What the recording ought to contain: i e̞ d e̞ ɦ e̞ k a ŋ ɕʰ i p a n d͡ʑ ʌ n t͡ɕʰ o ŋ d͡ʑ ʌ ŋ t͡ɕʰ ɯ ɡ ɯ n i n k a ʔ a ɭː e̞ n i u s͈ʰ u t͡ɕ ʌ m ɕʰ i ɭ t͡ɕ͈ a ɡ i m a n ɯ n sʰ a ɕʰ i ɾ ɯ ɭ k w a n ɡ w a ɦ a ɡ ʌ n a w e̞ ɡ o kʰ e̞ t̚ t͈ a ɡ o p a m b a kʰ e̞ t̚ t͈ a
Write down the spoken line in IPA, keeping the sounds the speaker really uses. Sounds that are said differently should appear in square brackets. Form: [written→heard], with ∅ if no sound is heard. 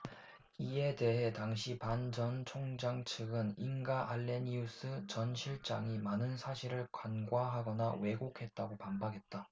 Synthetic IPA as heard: i e̞ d e̞ ɦ e̞ [k→t] a ŋ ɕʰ i p a n d͡ʑ ʌ n t͡ɕʰ o ŋ d͡ʑ [ʌ→a] ŋ t͡ɕʰ ɯ ɡ ɯ n i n [k→ɡ] a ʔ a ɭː e̞ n i u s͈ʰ [u→ɯ] t͡ɕ ʌ [m→n] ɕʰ i ɭ t͡ɕ͈ a [ɡ→ŋ] i m a n ɯ n sʰ a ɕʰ i ɾ ɯ ɭ k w a n ɡ w a ɦ a ɡ ʌ n a w e̞ ɡ o kʰ e̞ t̚ t͈ a ɡ o p a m b a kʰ e̞ t̚ t͈ a